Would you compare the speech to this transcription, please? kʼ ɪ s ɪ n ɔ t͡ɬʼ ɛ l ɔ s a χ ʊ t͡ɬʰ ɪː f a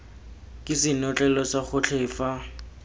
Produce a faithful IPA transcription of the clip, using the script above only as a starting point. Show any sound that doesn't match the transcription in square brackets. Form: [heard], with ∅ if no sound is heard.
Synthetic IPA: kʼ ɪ s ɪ n ɔ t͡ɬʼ ɛ l ɔ s a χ ʊ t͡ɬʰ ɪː f a